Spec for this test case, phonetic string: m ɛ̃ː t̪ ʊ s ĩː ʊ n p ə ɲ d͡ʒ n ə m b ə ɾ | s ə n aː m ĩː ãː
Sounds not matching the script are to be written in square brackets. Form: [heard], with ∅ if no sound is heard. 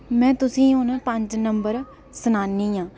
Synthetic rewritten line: m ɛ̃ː t̪ ʊ s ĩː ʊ n p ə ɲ d͡ʒ n ə m b ə ɾ | s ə n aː [n] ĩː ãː